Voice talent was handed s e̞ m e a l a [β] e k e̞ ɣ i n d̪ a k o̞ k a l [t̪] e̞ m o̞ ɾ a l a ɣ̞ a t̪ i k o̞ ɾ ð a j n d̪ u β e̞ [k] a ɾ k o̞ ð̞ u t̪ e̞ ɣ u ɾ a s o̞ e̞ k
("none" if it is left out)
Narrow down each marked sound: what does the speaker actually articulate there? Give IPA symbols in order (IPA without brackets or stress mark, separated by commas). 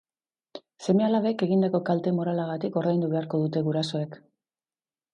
β, t̪, none